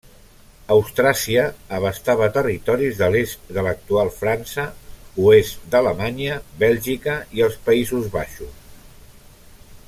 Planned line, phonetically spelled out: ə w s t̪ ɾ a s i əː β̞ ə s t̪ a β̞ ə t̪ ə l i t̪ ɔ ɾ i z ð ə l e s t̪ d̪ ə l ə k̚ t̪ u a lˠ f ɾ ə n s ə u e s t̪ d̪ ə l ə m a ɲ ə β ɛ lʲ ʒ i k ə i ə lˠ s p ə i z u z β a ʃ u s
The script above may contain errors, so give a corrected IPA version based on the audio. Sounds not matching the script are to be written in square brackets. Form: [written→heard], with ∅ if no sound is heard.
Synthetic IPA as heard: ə w s t̪ ɾ a s i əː β̞ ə s t̪ a β̞ ə t̪ ə [l→r] i t̪ ɔ ɾ i z ð ə l e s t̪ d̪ ə l ə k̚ t̪ u a lˠ f ɾ [ə→a] n s ə u e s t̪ d̪ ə l ə m a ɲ ə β ɛ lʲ ʒ i k ə i ə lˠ s p ə i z u z β a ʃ u s

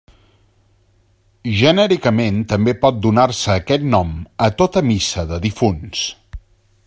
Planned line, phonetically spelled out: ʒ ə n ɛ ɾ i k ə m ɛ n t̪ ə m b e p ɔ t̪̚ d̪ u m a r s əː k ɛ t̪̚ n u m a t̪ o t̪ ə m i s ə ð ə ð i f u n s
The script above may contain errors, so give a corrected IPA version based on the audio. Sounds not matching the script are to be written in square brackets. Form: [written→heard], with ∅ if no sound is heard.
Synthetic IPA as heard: ʒ ə n ɛ ɾ i k ə m [ɛ→e] n t̪ ə m b e p ɔ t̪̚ d̪ u [m→n] a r s əː k ɛ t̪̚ n [u→ɔ] m [a→ə] t̪ o t̪ ə m i s ə ð ə ð i f u n s

